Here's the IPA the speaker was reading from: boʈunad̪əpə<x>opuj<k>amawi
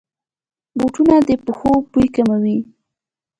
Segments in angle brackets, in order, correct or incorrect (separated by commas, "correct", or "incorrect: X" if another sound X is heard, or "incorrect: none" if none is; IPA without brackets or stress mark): correct, correct